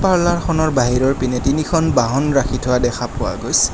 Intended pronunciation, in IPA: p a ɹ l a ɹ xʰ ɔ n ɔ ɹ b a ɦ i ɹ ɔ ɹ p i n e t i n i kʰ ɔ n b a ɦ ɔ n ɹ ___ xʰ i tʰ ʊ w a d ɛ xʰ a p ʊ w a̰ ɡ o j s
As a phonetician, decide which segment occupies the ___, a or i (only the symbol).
a